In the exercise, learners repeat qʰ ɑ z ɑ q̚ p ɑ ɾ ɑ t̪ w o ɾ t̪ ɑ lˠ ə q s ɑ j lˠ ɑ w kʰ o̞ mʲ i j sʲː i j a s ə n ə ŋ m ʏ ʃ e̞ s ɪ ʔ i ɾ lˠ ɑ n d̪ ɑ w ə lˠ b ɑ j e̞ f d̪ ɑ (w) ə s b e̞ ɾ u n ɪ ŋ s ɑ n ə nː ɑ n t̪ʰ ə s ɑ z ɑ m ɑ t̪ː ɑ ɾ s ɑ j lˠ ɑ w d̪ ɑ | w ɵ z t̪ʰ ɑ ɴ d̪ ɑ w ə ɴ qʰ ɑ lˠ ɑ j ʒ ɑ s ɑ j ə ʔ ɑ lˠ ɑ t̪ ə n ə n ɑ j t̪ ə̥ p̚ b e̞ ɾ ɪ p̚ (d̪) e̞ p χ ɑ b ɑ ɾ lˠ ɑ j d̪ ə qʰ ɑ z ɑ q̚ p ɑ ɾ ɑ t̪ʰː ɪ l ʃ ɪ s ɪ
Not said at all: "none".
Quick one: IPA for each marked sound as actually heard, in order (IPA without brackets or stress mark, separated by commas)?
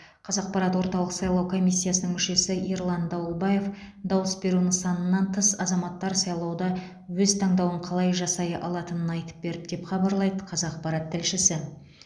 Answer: w, d̪